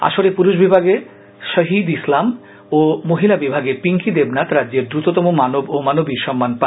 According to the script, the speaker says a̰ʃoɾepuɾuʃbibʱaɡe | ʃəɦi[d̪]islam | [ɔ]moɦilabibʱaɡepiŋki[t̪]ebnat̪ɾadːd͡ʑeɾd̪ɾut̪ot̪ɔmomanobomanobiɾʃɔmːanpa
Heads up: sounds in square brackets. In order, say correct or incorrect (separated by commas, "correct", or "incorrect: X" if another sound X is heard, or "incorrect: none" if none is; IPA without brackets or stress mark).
correct, incorrect: o, incorrect: d̪